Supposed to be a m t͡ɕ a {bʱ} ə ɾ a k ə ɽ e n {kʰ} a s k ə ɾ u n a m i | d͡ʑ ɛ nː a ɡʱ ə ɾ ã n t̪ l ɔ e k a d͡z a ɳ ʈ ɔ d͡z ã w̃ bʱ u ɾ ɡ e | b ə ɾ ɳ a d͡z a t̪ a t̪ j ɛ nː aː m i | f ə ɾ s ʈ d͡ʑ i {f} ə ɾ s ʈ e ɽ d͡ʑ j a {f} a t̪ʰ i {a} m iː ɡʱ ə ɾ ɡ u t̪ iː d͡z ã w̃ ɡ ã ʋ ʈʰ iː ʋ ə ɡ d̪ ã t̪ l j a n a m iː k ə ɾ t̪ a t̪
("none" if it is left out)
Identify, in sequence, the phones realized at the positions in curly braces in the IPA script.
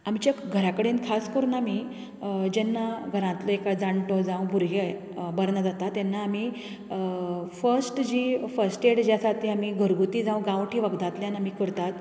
ɡʱ, kʰ, f, s, a

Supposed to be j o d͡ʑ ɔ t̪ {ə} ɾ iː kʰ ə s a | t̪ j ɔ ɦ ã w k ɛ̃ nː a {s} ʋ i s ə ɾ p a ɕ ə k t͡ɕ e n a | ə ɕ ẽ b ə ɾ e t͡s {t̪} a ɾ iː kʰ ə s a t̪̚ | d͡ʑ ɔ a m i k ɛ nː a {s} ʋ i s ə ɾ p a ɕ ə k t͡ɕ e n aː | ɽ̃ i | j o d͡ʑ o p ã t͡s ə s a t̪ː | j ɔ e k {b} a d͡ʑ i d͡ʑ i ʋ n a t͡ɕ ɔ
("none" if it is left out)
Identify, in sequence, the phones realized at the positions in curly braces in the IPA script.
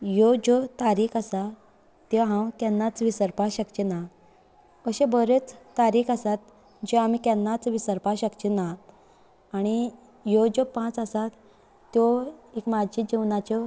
a, t͡s, t̪, t͡s, m

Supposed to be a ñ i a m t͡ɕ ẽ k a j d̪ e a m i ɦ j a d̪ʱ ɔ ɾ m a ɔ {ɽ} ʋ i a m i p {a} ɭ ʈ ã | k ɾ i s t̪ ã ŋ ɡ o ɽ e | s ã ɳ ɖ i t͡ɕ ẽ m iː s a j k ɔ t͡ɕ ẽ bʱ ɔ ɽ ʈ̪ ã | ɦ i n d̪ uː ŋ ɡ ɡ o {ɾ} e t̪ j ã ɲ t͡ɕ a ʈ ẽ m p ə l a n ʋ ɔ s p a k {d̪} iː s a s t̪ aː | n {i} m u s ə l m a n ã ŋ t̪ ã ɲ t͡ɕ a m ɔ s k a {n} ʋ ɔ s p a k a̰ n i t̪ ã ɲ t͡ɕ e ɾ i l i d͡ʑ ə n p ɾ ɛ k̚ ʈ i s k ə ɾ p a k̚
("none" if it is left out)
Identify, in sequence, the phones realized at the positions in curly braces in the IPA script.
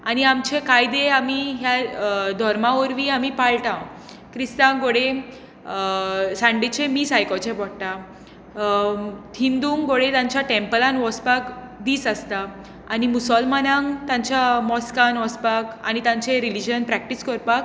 ɾ, a, ɽ, d̪, i, n

